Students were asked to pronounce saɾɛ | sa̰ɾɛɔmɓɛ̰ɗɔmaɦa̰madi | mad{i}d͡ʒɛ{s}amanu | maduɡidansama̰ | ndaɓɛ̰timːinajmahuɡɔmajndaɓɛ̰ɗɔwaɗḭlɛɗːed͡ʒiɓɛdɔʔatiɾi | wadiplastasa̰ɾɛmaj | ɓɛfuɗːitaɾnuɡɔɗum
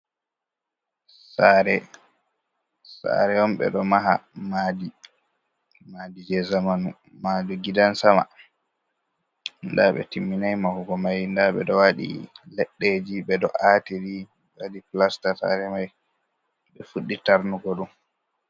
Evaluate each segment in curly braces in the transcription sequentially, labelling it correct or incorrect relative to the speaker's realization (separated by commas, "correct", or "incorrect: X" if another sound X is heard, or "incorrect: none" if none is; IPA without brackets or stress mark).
correct, incorrect: z